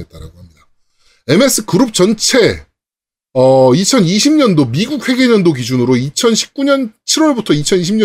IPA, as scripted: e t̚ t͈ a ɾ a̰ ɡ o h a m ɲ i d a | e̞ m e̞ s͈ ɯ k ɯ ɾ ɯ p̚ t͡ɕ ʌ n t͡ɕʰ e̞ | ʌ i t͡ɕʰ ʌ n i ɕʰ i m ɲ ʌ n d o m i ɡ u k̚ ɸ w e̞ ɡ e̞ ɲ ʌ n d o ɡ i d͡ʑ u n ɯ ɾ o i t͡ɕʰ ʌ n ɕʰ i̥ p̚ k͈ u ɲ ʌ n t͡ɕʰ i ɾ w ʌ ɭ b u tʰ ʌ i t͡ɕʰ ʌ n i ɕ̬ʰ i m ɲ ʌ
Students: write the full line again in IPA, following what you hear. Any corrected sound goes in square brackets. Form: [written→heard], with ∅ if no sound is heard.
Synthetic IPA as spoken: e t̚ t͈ a ɾ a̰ ɡ o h a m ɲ i d a | e̞ m e̞ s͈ ɯ k ɯ ɾ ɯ p̚ t͡ɕ ʌ n t͡ɕʰ e̞ | ʌ i t͡ɕʰ ʌ n i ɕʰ i m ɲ ʌ n d o m i ɡ u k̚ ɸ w e̞ ɡ e̞ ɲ ʌ n d o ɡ i d͡ʑ u n ɯ ɾ o i t͡ɕʰ ʌ n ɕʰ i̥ p̚ k͈ u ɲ ʌ n t͡ɕʰ i ɾ w ʌ ɭ b u tʰ ʌ i t͡ɕʰ ʌ n i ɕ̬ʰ i m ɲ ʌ